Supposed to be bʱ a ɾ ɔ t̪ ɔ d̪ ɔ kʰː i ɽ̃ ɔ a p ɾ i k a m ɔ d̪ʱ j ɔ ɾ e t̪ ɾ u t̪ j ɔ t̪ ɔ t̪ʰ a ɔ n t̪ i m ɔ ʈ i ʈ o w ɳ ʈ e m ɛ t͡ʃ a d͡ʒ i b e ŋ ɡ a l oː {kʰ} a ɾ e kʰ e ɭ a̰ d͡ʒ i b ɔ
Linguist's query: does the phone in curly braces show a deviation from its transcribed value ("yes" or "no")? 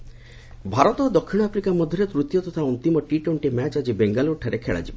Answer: yes